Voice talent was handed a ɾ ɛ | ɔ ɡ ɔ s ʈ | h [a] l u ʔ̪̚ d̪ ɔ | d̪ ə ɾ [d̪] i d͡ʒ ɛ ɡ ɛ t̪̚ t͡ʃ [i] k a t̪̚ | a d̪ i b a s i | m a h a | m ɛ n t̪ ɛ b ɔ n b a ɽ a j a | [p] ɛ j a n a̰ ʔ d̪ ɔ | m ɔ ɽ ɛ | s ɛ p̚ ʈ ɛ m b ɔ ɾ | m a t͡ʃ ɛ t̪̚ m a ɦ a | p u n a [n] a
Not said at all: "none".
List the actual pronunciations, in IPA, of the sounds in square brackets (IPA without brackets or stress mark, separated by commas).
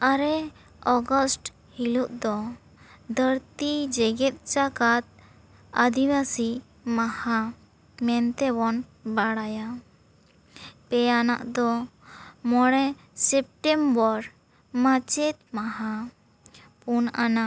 i, t̪, a, p, n